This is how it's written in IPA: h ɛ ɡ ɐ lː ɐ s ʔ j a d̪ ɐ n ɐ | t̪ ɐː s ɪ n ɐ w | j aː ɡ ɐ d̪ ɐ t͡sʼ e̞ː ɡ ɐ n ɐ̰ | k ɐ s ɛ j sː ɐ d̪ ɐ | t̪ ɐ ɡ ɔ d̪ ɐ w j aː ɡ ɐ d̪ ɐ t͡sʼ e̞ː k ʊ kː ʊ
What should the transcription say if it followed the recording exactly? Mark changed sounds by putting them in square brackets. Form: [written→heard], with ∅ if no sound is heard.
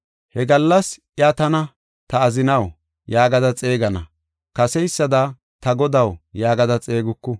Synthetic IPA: h ɛ ɡ ɐ lː ɐ s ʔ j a [d̪→t̪] ɐ n ɐ | t̪ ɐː [s→z] ɪ n ɐ w | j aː ɡ ɐ d̪ ɐ t͡sʼ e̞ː ɡ ɐ n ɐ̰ | k ɐ s ɛ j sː ɐ d̪ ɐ | t̪ ɐ ɡ ɔ d̪ ɐ w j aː ɡ ɐ d̪ ɐ t͡sʼ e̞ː [k→ɡ] ʊ kː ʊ